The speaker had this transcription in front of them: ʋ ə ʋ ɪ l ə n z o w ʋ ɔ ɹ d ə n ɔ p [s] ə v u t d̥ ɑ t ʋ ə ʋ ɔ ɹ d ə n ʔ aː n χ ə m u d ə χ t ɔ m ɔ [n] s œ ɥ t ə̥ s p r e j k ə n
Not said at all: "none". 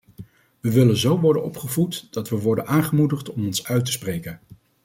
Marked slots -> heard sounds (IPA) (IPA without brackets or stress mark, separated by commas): χ, n